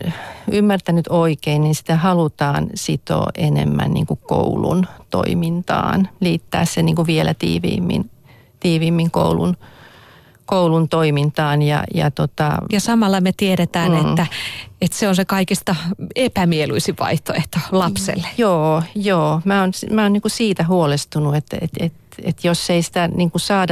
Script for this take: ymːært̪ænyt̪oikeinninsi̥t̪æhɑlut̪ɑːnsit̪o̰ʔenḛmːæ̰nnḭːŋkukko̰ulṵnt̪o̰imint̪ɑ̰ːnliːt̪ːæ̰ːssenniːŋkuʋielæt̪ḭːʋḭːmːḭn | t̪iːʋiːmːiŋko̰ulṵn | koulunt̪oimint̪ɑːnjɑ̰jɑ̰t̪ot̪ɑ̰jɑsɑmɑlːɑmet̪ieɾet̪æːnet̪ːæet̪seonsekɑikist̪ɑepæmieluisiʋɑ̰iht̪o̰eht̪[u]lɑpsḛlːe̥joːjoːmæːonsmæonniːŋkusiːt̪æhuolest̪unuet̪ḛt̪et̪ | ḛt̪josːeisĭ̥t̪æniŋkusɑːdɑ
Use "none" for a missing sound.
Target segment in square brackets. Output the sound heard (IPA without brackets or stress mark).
o